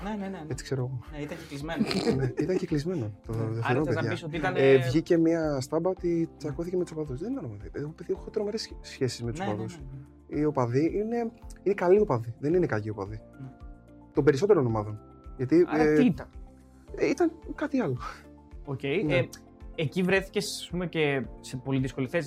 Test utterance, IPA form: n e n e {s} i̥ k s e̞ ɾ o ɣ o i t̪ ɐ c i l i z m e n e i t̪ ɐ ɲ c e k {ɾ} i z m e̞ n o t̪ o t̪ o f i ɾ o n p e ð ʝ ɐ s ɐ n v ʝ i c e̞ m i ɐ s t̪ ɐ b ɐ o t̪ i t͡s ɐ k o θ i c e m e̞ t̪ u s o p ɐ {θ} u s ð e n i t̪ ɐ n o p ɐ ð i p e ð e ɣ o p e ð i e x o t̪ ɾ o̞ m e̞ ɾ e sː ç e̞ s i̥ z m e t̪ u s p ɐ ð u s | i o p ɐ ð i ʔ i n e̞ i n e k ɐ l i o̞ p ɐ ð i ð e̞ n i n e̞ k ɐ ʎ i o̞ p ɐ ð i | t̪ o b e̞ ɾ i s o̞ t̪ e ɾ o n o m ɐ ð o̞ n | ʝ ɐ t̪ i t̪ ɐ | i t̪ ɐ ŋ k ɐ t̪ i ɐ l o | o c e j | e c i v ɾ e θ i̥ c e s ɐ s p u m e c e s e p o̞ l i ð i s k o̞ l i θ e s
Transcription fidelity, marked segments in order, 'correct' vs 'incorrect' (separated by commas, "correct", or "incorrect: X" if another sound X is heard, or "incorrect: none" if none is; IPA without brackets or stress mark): incorrect: t͡s, incorrect: l, incorrect: ð